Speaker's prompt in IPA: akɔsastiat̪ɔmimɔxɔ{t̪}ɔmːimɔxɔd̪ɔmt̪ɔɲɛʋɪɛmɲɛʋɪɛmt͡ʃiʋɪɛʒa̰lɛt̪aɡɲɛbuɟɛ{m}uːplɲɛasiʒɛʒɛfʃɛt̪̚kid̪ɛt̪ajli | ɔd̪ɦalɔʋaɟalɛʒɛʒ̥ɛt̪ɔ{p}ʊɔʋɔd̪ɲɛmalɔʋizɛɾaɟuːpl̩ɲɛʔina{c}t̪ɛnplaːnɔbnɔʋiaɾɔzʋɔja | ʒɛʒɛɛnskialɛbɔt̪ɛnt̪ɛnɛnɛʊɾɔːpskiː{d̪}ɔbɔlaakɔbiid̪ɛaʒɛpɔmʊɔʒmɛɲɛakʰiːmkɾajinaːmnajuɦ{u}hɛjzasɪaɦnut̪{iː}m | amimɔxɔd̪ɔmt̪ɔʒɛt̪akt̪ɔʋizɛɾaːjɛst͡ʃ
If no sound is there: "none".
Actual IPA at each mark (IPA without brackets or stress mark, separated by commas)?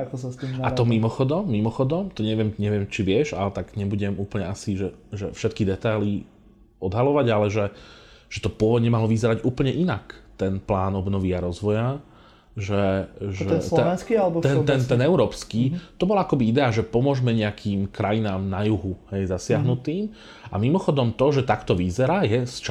d̪, m, p, k, t̪, u, iː